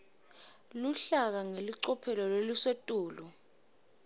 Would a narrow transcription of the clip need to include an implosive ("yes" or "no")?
no